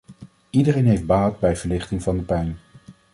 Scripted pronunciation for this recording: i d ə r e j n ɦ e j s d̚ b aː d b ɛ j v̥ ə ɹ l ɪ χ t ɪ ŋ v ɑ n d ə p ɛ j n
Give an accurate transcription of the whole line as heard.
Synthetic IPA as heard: i d ə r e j n ɦ e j f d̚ b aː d b ɛ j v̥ ə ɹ l ɪ χ t ɪ ŋ v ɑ n d ə p ɛ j n